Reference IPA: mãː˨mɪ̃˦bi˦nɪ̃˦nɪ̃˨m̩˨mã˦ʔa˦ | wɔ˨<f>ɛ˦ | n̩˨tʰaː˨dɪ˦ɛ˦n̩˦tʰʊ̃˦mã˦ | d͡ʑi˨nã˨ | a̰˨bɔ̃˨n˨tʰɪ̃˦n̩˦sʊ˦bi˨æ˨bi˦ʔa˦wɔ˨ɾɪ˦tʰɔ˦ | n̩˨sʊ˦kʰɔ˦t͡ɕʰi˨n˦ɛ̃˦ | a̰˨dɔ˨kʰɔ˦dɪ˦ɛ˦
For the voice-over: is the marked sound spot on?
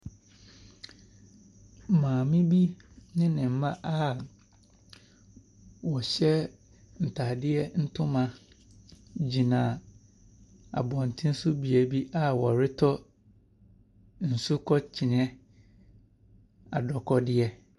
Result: no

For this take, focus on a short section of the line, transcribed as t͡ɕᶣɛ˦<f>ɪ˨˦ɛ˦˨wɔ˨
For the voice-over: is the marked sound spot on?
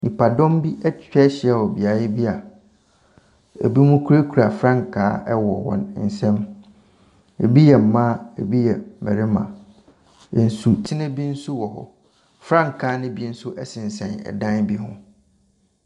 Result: no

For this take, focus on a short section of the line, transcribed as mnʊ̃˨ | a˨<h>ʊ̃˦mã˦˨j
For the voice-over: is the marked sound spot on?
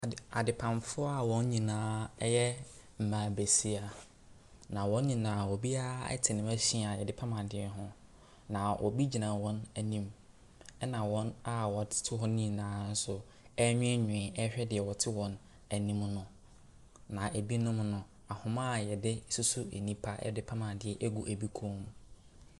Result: yes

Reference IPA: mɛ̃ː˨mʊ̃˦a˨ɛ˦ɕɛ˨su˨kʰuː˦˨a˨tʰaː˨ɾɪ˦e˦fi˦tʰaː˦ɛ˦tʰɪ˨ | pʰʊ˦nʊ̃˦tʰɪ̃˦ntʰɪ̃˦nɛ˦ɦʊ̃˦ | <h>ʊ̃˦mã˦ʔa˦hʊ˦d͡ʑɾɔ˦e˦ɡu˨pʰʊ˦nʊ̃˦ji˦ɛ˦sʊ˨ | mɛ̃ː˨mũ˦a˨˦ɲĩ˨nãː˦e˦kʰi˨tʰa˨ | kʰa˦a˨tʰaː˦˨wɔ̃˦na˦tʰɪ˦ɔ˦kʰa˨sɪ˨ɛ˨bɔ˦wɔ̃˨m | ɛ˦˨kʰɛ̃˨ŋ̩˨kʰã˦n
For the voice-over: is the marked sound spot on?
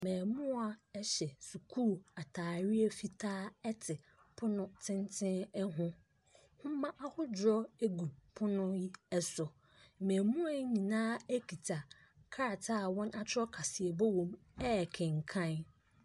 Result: yes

